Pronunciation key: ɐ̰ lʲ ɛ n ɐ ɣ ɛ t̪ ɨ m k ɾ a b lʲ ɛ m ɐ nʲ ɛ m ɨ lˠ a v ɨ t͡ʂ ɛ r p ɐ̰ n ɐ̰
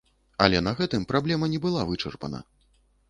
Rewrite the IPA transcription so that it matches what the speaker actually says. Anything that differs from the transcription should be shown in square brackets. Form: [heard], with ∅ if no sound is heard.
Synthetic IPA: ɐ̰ lʲ ɛ n ɐ ɣ ɛ t̪ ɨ m [p] ɾ a b lʲ ɛ m ɐ nʲ ɛ [b] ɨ lˠ a v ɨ t͡ʂ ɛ r p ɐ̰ n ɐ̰